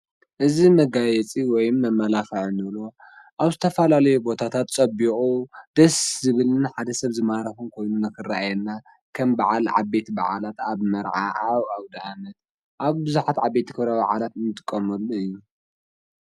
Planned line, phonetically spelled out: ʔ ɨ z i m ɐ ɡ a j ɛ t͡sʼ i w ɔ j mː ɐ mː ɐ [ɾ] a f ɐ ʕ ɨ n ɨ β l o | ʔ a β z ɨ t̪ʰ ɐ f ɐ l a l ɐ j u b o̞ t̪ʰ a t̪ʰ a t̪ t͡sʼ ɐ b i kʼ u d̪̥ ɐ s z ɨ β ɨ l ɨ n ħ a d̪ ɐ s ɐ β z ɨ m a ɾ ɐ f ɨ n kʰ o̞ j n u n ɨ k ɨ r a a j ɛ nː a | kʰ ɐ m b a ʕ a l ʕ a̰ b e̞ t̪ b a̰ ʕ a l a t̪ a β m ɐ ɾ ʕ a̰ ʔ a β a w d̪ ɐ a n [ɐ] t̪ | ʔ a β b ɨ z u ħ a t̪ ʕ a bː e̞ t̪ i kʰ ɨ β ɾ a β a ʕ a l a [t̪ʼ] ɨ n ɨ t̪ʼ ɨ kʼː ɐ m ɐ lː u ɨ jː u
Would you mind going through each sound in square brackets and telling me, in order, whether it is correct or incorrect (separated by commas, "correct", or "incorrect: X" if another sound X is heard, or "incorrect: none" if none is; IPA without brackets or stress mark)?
incorrect: l, correct, incorrect: t̪